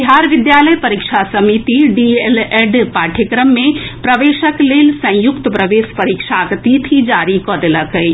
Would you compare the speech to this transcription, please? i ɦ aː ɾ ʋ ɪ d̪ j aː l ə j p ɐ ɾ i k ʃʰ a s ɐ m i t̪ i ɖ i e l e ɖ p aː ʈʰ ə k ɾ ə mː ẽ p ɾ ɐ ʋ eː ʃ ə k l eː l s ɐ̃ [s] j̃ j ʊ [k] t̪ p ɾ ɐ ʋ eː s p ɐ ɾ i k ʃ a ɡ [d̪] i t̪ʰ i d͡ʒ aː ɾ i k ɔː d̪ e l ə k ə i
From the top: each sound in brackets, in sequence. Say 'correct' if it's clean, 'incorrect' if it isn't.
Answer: incorrect, correct, incorrect

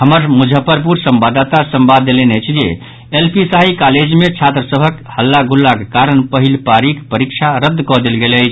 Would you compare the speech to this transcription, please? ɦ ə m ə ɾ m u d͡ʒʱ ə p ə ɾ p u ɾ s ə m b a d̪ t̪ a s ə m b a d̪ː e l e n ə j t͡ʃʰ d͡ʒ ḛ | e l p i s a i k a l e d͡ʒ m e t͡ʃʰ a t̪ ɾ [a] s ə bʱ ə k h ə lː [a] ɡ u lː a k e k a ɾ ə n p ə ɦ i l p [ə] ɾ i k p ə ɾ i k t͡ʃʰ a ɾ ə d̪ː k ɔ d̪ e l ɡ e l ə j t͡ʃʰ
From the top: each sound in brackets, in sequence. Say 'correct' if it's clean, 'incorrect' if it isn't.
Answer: incorrect, correct, incorrect

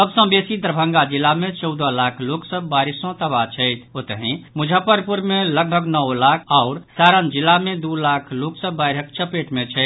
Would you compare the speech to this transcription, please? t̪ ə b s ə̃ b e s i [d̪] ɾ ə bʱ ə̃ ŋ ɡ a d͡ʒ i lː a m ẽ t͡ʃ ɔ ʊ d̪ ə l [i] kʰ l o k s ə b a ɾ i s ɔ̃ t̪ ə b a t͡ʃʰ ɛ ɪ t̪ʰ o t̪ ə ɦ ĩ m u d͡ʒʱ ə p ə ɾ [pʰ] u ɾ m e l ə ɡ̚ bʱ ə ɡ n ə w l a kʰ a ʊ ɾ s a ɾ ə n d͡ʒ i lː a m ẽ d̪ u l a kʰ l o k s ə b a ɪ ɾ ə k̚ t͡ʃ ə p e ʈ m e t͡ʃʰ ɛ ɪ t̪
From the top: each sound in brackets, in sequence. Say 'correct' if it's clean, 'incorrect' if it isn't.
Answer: correct, incorrect, incorrect

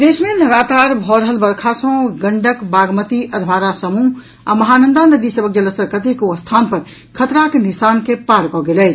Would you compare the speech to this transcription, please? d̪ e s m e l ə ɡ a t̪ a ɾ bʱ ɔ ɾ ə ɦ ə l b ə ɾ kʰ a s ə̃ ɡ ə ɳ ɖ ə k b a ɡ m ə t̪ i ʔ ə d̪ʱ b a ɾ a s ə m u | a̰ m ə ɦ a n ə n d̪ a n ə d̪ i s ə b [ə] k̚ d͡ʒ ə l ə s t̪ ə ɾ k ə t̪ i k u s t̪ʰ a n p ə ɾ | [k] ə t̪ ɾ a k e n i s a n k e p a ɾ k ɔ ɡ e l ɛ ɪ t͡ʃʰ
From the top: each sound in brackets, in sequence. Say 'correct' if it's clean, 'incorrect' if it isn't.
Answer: correct, incorrect

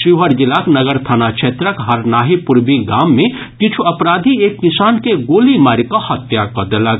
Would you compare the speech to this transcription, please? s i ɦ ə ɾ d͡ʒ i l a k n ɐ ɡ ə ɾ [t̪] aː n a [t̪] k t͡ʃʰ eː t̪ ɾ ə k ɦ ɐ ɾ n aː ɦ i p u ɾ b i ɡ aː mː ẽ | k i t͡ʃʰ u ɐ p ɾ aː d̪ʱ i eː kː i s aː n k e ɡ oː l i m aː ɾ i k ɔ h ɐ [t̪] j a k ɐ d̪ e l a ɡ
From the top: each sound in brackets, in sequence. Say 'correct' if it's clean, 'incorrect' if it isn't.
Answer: incorrect, incorrect, correct

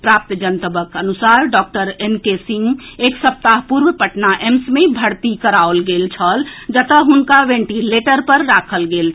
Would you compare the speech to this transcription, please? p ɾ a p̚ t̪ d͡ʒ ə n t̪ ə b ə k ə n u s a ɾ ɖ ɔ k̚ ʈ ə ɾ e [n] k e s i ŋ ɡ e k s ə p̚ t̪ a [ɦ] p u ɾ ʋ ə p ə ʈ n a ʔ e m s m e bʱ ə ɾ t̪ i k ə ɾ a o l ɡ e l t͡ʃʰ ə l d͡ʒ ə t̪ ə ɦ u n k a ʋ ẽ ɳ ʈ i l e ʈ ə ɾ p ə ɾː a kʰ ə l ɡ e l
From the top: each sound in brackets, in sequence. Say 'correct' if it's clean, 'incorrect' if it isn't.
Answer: correct, correct

